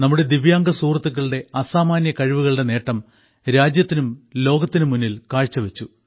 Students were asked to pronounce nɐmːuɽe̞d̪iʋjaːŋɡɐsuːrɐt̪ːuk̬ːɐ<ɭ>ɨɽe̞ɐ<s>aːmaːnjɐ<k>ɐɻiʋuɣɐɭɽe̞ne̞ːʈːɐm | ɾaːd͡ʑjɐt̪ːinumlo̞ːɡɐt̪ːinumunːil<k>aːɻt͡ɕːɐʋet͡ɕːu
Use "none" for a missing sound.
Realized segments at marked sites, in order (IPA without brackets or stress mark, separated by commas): ɭ, s, k, k